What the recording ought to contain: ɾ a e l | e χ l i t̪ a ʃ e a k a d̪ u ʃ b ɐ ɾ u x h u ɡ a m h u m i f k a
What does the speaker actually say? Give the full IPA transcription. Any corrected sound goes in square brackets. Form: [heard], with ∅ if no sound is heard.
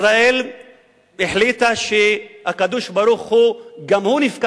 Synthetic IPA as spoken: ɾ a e l | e [ħ] l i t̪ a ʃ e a k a d̪ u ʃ b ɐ ɾ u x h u ɡ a m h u [n] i f k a